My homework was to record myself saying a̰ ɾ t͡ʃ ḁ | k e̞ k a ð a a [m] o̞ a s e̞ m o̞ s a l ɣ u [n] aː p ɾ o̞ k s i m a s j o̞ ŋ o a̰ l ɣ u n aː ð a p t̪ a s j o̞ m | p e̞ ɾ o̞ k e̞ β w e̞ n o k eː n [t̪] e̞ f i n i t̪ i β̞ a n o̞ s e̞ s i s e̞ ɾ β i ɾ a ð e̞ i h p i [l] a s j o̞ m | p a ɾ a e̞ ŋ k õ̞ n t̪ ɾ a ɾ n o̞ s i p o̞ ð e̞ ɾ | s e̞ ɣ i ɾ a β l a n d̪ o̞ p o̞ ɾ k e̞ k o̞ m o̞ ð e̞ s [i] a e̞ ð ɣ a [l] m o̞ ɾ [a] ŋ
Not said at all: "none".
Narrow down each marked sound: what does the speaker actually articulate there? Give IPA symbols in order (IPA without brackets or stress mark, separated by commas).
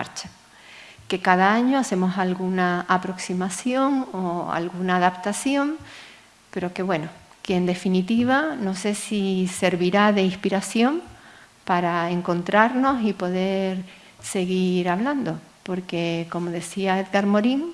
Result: ɲ, n, d̪, ɾ, i, ɾ, i